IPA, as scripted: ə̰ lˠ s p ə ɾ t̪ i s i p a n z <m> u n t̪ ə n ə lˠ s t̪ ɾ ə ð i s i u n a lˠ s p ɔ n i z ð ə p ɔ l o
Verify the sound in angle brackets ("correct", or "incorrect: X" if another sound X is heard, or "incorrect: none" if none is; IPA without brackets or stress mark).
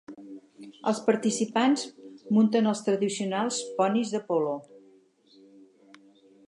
correct